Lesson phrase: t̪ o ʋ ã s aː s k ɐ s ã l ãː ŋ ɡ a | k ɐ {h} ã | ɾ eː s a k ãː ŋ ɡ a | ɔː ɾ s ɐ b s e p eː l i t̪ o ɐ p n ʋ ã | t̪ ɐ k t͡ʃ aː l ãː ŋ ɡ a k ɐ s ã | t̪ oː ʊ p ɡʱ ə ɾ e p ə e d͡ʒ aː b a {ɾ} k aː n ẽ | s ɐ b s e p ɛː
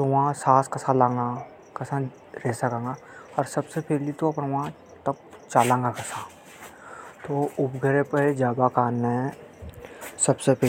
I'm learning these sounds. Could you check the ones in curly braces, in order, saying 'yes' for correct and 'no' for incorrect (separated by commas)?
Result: no, no